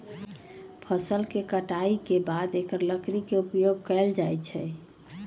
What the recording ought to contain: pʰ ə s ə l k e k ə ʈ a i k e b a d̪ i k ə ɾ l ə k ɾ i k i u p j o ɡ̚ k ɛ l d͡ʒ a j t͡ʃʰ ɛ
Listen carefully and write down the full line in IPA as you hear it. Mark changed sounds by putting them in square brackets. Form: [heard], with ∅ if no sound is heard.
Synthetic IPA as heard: pʰ ə s ə l k e k ə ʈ a i k e b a d̪ [e] k ə ɾ l ə k ɾ i k [e] u p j o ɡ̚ k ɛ l d͡ʒ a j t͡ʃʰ ɛ